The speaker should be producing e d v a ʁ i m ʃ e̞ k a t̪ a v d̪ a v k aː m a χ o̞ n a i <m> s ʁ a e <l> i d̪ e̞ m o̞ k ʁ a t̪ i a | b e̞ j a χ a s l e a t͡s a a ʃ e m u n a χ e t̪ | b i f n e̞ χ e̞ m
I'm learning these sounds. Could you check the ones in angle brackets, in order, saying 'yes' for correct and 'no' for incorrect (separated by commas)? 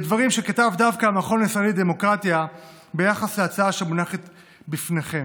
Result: no, yes